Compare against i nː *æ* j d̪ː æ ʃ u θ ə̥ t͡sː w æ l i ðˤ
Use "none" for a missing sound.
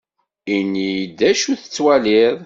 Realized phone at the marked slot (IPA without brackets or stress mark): i